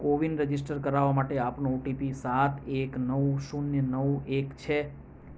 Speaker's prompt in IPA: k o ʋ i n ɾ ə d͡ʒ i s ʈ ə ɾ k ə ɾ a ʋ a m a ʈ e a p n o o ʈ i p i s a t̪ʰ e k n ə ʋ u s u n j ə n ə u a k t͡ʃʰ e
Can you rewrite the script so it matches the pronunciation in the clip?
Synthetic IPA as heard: k o ʋ i n ɾ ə d͡ʒ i s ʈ ə ɾ k ə ɾ a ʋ a m a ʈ e a p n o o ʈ i p i s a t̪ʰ e k n ə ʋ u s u n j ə n ə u e k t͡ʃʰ e